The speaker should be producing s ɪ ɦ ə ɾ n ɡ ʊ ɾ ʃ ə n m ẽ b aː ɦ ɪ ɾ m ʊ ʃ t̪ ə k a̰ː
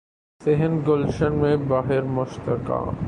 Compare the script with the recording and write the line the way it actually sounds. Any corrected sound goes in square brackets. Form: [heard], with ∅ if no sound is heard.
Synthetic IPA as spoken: s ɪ ɦ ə [∅] n ɡ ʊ [l] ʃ ə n m ẽ b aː ɦ ɪ ɾ m ʊ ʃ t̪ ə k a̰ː